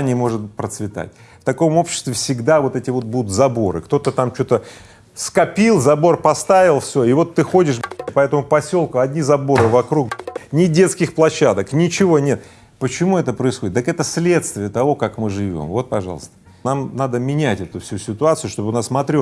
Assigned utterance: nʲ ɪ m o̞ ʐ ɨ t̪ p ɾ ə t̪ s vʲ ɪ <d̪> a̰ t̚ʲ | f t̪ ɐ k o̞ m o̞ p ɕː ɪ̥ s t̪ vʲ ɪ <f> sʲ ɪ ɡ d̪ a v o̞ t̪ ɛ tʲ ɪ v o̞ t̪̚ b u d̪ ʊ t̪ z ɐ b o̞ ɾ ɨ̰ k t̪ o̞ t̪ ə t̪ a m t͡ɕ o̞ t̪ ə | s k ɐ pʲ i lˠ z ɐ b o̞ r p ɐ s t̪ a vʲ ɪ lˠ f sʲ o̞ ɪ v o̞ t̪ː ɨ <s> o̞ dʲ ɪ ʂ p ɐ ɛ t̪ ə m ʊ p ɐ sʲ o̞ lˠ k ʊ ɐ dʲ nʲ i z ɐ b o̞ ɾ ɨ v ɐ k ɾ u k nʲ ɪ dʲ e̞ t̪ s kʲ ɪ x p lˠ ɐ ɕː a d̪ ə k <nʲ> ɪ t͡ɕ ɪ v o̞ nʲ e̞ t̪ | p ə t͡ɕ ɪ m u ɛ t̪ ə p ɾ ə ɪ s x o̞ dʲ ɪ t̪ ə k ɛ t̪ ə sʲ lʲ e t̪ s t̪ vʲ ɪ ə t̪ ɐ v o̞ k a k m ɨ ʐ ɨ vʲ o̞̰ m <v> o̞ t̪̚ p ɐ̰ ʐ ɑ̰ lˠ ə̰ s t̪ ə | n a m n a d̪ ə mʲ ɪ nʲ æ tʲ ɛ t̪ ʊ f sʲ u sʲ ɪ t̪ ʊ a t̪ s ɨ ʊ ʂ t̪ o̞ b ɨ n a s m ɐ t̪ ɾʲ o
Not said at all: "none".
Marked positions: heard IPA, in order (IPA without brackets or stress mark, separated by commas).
t̪, f, x, nʲ, v